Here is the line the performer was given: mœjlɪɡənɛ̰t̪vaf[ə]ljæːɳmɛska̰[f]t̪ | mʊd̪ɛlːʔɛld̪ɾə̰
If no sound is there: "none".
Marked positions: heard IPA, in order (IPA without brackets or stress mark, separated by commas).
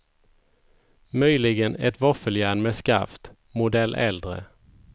ə, f